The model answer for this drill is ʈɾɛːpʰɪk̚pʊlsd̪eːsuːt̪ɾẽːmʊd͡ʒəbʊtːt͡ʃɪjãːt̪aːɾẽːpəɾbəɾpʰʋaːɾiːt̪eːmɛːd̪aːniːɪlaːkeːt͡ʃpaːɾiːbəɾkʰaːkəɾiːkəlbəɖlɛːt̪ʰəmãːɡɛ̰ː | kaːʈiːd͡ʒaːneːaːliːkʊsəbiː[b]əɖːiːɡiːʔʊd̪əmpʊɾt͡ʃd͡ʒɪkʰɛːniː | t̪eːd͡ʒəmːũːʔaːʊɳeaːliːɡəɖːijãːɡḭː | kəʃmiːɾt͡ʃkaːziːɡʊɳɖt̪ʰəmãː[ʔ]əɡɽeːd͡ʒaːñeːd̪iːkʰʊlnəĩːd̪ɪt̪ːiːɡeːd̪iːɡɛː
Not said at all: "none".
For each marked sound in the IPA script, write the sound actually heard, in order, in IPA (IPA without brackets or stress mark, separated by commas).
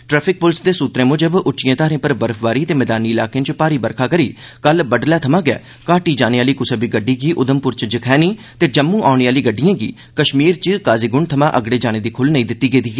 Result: ɡ, ʔ